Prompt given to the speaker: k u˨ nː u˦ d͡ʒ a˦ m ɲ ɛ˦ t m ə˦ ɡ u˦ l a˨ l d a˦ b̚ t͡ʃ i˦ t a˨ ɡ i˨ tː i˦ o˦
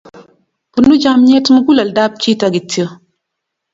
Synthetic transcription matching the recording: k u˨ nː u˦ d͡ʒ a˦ m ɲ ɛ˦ t m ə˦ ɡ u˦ l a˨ l d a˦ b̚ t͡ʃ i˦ t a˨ ɡ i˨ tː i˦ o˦